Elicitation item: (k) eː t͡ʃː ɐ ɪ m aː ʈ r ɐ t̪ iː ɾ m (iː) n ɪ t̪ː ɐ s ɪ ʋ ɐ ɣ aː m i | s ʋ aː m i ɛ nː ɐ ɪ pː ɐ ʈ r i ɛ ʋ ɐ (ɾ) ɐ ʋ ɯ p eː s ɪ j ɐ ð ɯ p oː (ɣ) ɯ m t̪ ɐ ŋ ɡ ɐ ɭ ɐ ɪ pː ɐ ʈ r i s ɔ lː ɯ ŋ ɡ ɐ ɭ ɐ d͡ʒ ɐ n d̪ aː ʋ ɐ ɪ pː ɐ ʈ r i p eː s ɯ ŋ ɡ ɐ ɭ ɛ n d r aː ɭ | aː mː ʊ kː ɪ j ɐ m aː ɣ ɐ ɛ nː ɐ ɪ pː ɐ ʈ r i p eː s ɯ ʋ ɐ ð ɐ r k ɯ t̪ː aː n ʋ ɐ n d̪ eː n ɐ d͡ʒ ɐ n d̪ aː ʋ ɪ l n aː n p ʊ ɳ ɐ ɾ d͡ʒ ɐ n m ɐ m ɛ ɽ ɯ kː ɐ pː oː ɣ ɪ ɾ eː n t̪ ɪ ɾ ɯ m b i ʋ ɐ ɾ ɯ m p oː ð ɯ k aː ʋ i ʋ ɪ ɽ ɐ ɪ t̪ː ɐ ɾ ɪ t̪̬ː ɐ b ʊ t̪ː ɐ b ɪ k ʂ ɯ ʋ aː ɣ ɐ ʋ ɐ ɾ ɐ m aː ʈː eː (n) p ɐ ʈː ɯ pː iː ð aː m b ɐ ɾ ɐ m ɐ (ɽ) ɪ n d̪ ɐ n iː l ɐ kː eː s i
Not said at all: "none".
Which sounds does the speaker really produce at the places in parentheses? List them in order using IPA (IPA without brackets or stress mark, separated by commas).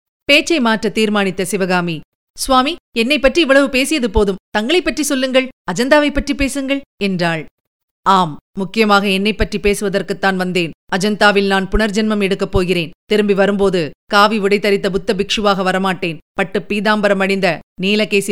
p, aː, ɭ, ð, n, ɽ